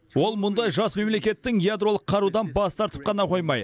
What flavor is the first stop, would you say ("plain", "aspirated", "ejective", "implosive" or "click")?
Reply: plain